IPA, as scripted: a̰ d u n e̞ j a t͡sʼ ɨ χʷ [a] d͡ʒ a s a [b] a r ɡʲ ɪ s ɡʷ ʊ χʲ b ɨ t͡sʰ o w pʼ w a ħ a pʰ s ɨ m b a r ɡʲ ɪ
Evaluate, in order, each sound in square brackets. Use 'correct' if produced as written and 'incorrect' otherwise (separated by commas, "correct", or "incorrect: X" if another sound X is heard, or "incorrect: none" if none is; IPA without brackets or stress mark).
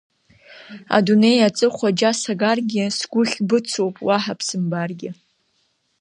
correct, incorrect: ɡ